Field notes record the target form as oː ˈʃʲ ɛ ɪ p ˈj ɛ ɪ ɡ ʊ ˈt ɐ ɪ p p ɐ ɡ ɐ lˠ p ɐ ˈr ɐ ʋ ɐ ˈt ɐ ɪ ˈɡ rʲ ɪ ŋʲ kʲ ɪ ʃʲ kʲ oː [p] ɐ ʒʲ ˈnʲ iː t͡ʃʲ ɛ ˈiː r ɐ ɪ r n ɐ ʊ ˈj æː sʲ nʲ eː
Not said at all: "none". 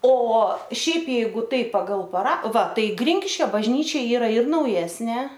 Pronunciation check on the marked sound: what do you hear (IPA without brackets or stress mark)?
b